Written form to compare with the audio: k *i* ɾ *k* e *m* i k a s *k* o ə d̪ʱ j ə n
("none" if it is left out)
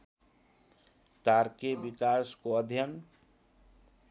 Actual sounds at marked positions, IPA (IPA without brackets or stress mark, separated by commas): a, k, b, k